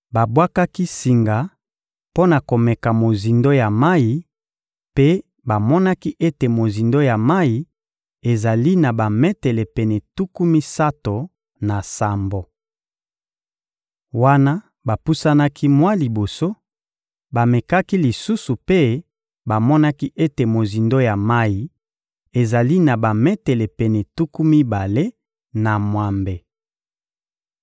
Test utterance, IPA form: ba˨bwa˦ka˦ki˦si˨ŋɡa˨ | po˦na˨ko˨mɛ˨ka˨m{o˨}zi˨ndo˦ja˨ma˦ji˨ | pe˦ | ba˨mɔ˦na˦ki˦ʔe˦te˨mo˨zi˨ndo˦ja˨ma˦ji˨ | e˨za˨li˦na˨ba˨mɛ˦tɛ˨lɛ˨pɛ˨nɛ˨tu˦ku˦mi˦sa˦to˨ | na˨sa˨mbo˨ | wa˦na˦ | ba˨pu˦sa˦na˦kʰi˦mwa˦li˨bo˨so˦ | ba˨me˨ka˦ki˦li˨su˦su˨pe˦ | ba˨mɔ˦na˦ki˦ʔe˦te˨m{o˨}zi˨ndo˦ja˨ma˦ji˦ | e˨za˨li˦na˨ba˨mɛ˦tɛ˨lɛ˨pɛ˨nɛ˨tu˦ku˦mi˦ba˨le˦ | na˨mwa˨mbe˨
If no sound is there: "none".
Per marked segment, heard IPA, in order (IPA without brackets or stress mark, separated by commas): o˨, o˨